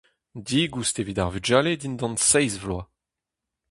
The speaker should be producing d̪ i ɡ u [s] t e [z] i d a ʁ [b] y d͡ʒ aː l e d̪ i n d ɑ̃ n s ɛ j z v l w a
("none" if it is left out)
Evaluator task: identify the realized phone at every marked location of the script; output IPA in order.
s, v, v

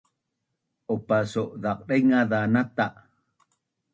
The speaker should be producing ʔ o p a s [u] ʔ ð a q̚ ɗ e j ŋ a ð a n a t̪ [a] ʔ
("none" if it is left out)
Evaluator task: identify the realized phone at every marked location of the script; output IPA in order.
o, a

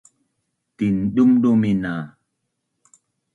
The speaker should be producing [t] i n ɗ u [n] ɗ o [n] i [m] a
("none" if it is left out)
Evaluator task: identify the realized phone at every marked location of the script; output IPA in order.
t, m, m, n

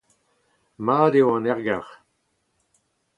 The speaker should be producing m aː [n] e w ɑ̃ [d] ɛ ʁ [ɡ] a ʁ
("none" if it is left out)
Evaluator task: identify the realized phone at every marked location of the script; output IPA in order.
d, n, ɡ

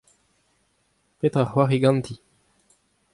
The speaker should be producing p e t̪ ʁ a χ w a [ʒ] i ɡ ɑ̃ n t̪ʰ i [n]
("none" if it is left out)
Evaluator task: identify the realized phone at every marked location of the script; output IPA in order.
ʁ, none

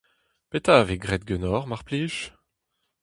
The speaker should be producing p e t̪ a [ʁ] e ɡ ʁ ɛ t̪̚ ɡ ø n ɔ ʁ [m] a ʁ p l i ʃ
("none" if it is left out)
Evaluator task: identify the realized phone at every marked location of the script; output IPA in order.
v, m

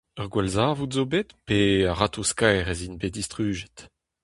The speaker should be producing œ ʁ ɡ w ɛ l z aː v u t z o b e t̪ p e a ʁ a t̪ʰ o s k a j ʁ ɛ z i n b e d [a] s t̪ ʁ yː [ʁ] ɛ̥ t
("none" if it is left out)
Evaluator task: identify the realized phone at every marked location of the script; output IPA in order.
i, ʒ

